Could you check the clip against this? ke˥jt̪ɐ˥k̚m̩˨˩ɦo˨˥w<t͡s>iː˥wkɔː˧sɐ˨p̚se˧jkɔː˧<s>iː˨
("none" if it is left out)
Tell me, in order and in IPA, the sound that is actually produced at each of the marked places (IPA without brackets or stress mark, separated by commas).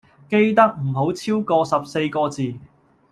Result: t͡sʰ, t͡s